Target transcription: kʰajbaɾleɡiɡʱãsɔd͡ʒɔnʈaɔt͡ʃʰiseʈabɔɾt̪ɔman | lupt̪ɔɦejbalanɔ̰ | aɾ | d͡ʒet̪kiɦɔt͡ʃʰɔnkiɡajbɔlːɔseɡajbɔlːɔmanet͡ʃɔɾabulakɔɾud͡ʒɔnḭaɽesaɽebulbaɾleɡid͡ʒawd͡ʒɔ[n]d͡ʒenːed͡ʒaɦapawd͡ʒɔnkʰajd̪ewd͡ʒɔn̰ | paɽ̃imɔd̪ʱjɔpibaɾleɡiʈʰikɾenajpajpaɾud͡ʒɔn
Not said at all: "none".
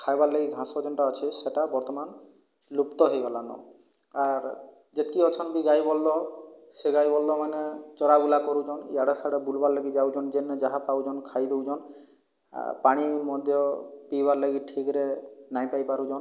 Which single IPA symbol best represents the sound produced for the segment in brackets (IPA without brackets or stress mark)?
n